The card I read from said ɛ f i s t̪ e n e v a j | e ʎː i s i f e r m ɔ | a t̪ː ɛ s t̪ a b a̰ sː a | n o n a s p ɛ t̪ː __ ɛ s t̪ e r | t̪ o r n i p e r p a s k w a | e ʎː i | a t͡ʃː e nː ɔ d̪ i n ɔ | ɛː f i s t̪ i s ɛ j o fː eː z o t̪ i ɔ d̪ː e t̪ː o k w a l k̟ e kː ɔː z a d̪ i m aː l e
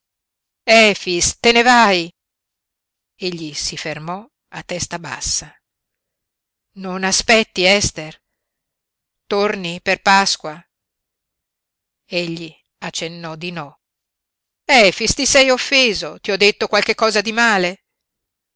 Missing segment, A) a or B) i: B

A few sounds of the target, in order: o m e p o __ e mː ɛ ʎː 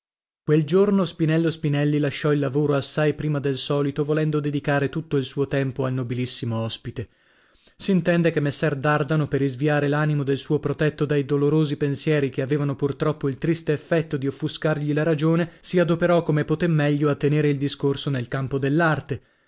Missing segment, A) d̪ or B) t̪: B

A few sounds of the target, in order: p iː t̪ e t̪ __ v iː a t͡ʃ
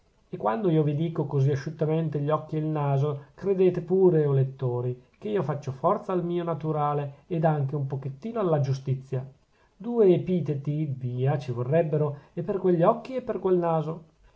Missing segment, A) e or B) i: B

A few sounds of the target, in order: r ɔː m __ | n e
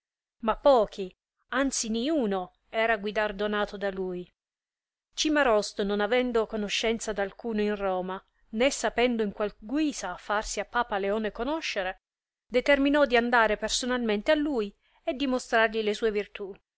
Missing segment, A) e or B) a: B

